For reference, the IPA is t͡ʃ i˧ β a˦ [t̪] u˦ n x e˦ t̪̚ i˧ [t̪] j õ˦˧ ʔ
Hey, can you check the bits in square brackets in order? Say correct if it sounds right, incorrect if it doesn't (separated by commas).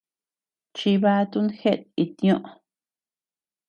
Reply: correct, correct